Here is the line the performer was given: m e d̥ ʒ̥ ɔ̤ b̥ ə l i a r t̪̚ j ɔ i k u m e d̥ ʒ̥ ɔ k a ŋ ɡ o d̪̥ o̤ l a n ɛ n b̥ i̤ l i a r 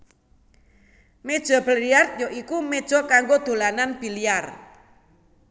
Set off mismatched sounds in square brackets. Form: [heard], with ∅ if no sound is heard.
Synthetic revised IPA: m e d̥ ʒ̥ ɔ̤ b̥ ə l i a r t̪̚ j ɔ i k u m e d̥ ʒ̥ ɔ k a ŋ ɡ o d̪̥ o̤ l a n [a] n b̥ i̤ l i a r